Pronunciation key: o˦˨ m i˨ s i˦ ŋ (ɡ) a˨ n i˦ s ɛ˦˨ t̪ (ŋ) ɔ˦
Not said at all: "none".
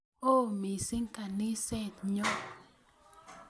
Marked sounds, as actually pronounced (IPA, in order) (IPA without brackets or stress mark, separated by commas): k, ɲ